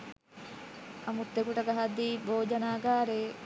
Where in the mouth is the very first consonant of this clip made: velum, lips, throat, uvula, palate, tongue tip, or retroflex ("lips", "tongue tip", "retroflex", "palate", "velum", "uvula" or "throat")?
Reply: lips